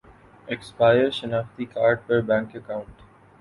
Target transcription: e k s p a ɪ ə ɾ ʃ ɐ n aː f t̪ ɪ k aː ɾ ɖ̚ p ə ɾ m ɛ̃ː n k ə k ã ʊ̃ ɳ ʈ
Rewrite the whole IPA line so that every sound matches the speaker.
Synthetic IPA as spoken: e k s p a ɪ ə ɾ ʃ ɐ n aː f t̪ i k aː ɾ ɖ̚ p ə ɾ b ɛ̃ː ŋ k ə k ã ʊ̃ ɳ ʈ